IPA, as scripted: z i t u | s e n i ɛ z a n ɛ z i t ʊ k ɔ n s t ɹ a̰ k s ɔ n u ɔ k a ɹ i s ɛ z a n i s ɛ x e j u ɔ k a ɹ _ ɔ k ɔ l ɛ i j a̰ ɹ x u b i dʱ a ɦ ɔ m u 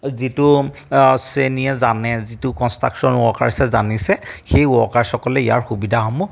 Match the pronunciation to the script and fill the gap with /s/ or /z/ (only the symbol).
s